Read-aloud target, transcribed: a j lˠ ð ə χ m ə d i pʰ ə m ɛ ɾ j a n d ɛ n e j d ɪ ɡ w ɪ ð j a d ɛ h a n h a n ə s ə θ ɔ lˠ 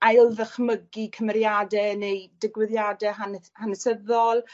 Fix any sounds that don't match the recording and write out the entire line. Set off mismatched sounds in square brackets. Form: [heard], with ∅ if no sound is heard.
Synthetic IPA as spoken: a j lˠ ð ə χ m ə [ɡ] i [kʰ] ə m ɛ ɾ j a [∅] d ɛ n e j d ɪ ɡ w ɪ ð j a d ɛ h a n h a n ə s ə [ð] ɔ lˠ